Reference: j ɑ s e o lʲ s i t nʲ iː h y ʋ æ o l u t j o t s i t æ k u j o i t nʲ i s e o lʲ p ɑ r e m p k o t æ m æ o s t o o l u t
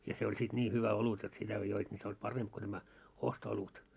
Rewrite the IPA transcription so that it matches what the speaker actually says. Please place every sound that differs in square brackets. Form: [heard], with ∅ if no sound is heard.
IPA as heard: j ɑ s e o lʲ s i t nʲ iː h y ʋ æ o l u t j o t s i t æ k [o] j o i t nʲ i s e o lʲ p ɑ r e m p k o t æ m æ o s t o o l u t